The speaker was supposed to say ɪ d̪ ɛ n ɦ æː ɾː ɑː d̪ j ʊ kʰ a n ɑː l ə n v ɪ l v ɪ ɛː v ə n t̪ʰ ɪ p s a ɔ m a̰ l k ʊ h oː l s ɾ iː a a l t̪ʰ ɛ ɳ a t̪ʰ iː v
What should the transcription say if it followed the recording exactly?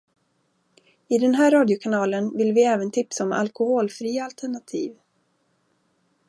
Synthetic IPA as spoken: ɪ d̪ ɛ n ɦ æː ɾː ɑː d̪ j ʊ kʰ a n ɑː l ə n v ɪ l v ɪ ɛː v ə n t̪ʰ ɪ p s a ɔ m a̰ l k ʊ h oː l f ɾ iː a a l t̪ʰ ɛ ɳ a t̪ʰ iː v